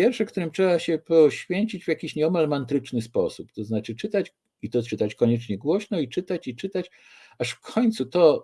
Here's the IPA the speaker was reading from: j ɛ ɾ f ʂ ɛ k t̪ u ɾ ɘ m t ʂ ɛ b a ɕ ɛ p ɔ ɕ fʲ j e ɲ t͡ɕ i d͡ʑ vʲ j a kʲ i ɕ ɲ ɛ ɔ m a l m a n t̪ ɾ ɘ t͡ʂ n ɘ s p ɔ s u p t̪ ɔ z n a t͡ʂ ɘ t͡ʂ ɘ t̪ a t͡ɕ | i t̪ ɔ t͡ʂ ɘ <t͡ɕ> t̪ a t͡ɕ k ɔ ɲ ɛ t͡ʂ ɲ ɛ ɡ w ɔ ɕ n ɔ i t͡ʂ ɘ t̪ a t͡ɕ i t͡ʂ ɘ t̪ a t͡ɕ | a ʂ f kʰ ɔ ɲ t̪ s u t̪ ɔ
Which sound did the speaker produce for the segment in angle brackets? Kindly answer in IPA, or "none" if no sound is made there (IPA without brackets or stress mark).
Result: none